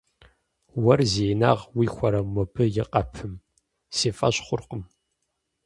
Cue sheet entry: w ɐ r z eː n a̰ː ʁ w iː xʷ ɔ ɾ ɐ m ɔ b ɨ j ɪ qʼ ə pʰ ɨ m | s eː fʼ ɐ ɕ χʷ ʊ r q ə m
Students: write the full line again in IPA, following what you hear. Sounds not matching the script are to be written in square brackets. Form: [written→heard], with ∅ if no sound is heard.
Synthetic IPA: w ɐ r z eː n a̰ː ʁ w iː xʷ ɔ ɾ ɐ m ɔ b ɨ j ɪ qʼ [ə→ɐ] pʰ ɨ m | s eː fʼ ɐ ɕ χʷ ʊ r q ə m